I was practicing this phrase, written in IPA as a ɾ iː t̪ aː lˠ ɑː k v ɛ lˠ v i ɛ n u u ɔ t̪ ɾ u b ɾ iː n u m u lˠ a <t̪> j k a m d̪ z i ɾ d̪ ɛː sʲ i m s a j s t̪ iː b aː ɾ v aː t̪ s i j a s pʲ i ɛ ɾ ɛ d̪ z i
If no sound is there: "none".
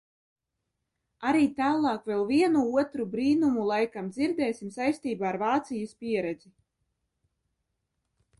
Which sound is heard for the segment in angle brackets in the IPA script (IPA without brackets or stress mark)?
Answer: none